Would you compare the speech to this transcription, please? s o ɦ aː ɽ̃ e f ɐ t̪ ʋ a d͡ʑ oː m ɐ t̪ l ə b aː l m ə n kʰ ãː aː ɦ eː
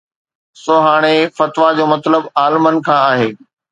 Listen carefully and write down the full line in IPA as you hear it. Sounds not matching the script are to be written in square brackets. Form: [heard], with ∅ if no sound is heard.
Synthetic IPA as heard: s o ɦ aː ɽ̃ e f ɐ t̪ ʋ a d͡ʑ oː m ɐ t̪ l ə b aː l m ə n kʰ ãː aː ɦ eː

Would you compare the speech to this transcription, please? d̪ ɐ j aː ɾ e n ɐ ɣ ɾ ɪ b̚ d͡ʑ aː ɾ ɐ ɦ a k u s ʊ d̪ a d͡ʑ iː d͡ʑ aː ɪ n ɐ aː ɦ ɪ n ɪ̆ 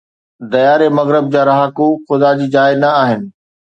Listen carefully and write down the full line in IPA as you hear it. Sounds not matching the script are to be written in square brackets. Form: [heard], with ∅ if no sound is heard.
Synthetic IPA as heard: d̪ ɐ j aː ɾ e [m] ɐ ɣ ɾ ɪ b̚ d͡ʑ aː ɾ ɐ ɦ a k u [x] ʊ d̪ a d͡ʑ iː d͡ʑ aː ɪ n ɐ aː ɦ ɪ n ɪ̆

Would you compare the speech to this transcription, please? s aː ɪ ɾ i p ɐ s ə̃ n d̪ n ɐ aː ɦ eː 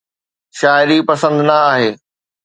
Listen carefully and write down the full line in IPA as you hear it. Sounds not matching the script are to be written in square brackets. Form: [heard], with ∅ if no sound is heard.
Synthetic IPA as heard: [ʃ] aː ɪ ɾ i p ɐ s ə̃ n d̪ n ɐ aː ɦ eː

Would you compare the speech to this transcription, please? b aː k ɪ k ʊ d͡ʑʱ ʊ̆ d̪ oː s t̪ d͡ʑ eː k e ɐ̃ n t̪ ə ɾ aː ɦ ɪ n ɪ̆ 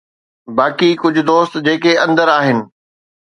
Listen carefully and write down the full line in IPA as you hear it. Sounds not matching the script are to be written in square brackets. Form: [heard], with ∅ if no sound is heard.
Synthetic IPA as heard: b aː k [i] k ʊ d͡ʑʱ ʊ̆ d̪ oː s t̪ d͡ʑ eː k e ɐ̃ n [d̪] ə ɾ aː ɦ ɪ n ɪ̆

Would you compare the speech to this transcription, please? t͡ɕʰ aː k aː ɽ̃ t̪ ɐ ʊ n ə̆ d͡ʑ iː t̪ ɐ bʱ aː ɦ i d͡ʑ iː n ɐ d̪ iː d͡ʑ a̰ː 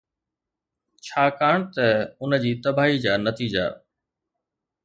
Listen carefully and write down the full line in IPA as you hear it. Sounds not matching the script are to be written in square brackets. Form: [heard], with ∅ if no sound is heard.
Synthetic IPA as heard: t͡ɕʰ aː k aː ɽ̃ t̪ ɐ ʊ n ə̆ d͡ʑ iː t̪ ɐ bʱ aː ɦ i d͡ʑ [aː] n ɐ [t̪] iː d͡ʑ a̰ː

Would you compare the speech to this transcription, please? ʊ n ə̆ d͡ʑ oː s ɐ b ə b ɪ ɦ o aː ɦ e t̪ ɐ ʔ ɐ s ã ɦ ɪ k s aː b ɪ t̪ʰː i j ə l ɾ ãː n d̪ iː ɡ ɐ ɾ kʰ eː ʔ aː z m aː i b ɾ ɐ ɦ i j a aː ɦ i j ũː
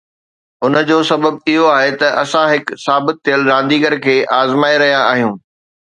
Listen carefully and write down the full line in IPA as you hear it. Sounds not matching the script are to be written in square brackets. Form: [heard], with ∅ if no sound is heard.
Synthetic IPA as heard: ʊ n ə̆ d͡ʑ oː s ɐ b ə b ɪ ɦ o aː ɦ e t̪ ɐ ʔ ɐ s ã ɦ ɪ k s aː b ɪ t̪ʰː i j ə l ɾ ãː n d̪ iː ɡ [ə] ɾ kʰ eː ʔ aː z m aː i [∅] ɾ ɐ ɦ i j a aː ɦ i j ũː

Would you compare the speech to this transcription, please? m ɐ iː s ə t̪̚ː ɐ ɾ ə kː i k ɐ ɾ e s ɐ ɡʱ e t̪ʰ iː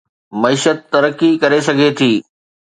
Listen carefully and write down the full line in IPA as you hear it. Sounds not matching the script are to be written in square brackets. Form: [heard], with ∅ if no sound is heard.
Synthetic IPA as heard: m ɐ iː [ʃ] ə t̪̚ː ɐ ɾ ə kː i k ɐ ɾ e s ɐ ɡʱ e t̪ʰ iː

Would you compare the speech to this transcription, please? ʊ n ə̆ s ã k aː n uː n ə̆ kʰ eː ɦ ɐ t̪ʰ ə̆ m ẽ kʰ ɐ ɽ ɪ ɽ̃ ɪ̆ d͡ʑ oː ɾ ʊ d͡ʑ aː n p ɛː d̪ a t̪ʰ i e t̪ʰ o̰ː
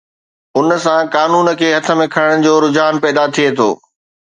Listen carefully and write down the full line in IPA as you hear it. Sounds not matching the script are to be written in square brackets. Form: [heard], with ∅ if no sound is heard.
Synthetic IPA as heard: ʊ n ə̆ s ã k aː n uː n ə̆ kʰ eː ɦ ɐ t̪ʰ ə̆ m ẽ kʰ ɐ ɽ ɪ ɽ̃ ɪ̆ d͡ʑ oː ɾ ʊ d͡ʑ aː n p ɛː d̪ a t̪ʰ i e t̪ʰ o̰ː

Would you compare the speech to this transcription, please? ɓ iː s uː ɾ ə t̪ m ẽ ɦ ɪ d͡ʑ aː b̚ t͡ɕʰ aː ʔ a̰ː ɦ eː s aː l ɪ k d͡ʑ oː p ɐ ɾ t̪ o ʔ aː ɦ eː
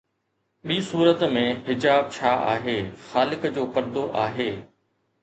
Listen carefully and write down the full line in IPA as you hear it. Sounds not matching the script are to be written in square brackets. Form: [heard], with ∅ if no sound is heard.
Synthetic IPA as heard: ɓ iː s uː ɾ ə t̪ m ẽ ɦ ɪ d͡ʑ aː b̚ t͡ɕʰ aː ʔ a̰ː ɦ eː [x] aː l ɪ k d͡ʑ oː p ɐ ɾ [d̪] o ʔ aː ɦ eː

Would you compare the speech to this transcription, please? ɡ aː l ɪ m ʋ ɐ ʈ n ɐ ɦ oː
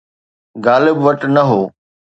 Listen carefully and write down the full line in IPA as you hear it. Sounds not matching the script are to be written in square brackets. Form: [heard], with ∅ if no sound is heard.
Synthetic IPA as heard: ɡ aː l ɪ [b] ʋ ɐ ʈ n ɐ ɦ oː

